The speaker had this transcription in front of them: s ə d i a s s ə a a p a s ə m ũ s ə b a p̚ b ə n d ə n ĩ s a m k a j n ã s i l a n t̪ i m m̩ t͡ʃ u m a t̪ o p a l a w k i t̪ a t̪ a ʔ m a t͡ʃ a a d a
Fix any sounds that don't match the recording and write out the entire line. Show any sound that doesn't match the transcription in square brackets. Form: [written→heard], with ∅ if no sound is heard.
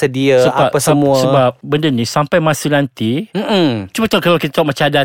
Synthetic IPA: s ə d i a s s ə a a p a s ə m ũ s ə b a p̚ b ə n d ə n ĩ s a m [k→p] a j [n→m] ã s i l a n t̪ i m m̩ t͡ʃ u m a t̪ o [p→k] a l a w k i t̪ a t̪ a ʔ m a t͡ʃ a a d a